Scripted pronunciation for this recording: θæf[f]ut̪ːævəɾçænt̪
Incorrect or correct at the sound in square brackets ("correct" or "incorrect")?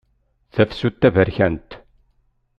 incorrect